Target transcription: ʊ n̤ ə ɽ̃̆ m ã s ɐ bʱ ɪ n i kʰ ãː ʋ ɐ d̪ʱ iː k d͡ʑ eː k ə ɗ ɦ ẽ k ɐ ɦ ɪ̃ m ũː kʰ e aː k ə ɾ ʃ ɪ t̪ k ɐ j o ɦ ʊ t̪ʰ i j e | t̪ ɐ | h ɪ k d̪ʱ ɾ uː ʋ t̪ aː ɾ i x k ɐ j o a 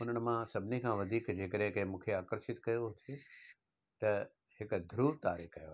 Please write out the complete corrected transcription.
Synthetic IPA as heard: ʊ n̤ ə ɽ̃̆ m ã s ɐ bʱ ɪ n i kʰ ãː ʋ ɐ d̪ʱ iː k d͡ʑ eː k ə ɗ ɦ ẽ k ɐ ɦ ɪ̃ m ũː kʰ e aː k ə ɾ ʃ ɪ t̪ k ɐ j o ɦ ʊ t̪ʰ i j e | t̪ ɐ | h ɪ k d̪ʱ ɾ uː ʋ t̪ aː ɾ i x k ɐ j o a